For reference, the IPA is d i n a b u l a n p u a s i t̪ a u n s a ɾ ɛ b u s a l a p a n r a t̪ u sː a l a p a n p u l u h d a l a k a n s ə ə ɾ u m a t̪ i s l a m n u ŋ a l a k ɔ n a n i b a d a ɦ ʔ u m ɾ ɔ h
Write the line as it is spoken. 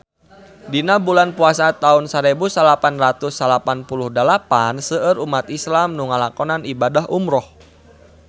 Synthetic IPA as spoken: d i n a b u l a n p u a s a t̪ a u n s a ɾ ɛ b u s a l a p a n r a t̪ u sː a l a p a n p u l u h d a l a p a n s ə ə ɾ u m a t̪ i s l a m n u ŋ a l a k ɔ n a n i b a d a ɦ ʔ u m ɾ ɔ h